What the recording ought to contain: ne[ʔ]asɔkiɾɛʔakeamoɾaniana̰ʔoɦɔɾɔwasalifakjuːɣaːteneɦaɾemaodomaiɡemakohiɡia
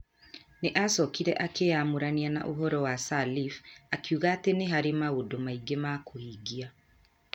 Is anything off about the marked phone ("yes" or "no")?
no